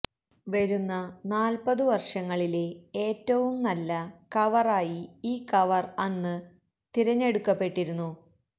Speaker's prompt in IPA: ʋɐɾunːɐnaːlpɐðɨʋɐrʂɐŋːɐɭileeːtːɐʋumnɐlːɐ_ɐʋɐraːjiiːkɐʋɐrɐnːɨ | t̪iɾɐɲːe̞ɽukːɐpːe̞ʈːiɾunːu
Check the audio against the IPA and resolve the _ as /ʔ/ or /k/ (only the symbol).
k